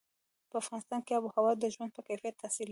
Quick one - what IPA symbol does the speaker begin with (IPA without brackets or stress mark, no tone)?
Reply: p